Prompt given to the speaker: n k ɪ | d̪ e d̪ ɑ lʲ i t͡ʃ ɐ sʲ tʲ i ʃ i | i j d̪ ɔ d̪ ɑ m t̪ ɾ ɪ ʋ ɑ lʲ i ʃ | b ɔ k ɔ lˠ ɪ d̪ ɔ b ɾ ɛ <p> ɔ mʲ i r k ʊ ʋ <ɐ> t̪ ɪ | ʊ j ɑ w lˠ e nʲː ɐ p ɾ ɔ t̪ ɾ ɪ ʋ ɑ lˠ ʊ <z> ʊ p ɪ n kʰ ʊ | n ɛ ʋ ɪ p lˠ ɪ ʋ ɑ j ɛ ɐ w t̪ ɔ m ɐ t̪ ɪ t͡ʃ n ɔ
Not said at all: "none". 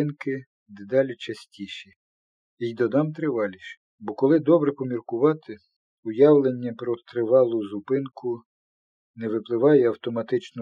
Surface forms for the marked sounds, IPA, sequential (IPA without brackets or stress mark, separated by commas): p, ɑ, z